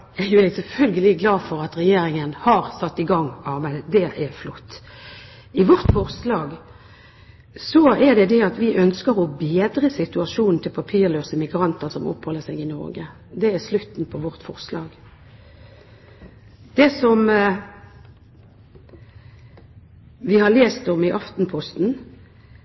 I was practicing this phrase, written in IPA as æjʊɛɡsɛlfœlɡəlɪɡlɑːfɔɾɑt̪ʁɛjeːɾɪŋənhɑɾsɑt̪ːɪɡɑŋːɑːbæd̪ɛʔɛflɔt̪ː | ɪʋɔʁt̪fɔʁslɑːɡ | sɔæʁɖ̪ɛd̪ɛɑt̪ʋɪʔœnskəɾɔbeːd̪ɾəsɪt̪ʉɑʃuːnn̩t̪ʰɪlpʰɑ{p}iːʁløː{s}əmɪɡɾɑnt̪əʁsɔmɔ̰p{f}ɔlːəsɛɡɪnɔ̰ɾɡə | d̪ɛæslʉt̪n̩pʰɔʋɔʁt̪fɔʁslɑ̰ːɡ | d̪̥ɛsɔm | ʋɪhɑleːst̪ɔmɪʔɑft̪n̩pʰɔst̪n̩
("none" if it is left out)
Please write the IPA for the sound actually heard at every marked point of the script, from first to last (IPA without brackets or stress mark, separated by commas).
pʰ, s, h